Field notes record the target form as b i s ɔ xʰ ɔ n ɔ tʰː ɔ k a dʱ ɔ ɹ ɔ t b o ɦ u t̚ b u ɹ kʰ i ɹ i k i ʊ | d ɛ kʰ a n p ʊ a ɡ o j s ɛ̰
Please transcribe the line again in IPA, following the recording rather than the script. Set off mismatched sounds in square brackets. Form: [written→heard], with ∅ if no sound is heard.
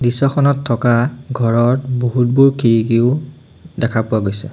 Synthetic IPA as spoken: [b→d] i s ɔ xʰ ɔ n ɔ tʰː ɔ k a [dʱ→ɡʱ] ɔ ɹ ɔ t b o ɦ u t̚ b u ɹ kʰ i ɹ i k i ʊ | d ɛ kʰ a [n→∅] p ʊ a ɡ o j s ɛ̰